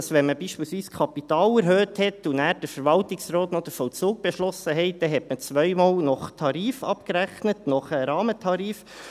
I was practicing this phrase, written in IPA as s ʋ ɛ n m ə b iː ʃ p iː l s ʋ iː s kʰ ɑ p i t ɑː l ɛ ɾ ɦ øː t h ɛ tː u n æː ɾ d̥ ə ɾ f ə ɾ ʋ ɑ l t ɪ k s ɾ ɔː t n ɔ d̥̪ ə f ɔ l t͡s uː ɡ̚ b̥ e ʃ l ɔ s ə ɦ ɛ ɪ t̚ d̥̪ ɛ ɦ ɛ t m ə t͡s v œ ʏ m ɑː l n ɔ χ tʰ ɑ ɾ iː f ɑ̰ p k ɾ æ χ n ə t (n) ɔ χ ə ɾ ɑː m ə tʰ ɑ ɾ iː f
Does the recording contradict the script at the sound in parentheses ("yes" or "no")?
no